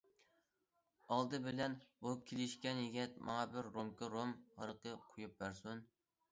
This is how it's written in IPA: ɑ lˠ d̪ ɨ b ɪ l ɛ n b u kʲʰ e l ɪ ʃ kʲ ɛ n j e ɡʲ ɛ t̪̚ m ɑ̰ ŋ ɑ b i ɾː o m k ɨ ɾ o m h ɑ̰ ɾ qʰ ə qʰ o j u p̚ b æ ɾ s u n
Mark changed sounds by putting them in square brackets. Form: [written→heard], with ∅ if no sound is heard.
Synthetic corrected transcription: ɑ lˠ d̪ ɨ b ɪ l ɛ n b u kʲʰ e l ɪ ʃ kʲ ɛ n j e ɡʲ ɛ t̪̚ m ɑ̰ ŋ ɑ b [i→ɪ] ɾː o m k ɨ ɾ o m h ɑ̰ ɾ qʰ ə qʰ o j u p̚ b æ ɾ s u n